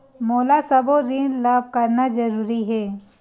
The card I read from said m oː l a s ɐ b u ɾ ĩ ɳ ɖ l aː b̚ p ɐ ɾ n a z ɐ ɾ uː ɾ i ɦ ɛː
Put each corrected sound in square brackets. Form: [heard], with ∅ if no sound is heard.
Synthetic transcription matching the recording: m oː l a s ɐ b [o] ɾ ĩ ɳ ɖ l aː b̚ [k] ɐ ɾ n a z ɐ ɾ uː ɾ i ɦ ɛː